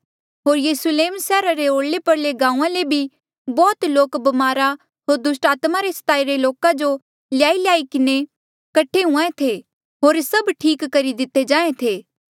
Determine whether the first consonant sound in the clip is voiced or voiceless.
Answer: voiced